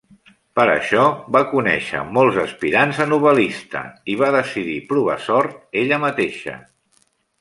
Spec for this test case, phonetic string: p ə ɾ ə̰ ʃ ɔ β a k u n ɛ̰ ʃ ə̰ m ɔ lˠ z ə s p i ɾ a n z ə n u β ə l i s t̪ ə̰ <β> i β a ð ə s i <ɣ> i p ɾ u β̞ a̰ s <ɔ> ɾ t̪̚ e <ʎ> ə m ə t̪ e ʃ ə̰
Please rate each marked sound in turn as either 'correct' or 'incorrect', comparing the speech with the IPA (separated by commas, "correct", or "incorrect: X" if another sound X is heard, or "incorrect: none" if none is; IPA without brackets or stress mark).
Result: incorrect: none, incorrect: ð, correct, correct